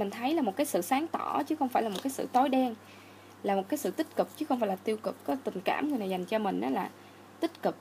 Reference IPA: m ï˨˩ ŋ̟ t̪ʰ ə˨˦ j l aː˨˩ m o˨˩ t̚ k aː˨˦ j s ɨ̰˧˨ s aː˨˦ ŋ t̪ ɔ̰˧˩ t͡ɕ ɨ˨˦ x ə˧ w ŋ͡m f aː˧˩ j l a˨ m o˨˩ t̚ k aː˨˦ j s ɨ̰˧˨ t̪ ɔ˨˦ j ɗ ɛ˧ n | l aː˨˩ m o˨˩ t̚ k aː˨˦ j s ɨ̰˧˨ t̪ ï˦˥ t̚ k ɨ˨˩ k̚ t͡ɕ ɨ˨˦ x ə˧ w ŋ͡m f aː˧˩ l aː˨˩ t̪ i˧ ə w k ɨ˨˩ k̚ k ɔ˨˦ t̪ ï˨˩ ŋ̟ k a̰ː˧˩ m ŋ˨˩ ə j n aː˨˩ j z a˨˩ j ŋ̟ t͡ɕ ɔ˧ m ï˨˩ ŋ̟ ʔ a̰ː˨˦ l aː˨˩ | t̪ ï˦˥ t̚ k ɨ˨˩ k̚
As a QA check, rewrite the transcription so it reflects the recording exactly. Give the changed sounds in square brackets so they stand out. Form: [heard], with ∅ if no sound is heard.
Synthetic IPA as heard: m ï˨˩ ŋ̟ t̪ʰ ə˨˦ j l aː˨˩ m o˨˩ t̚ k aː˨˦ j s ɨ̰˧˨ s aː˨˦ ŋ t̪ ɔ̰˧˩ t͡ɕ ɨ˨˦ x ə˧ w ŋ͡m f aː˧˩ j l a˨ m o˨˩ t̚ k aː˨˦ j s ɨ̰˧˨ t̪ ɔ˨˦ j ɗ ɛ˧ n | l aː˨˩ m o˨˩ t̚ k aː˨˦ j s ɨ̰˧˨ t̪ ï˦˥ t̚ k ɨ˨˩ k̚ t͡ɕ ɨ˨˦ x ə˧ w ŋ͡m f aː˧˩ l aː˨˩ t̪ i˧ ə w k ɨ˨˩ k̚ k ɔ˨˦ t̪ ï˨˩ ŋ̟ k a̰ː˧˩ m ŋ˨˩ ə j n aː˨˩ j z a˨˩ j ŋ̟ t͡ɕ ɔ˧ m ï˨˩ ŋ̟ ʔ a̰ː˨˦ l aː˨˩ | t̪ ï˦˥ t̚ k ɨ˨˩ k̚